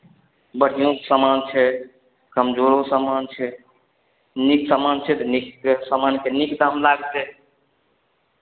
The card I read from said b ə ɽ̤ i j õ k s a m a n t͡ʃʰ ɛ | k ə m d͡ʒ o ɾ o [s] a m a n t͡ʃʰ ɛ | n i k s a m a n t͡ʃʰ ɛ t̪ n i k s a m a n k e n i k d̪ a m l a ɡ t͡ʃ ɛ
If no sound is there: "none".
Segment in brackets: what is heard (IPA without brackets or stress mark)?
s